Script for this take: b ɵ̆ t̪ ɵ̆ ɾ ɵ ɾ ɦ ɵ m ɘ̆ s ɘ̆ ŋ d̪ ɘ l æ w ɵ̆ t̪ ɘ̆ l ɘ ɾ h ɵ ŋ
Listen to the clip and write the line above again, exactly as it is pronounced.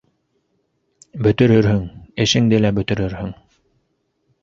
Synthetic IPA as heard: b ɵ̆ t̪ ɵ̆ ɾ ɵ ɾ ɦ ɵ ŋ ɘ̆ ʃ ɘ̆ ŋ d̪ ɘ l æ b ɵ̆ t̪ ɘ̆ ɾ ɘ ɾ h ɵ ŋ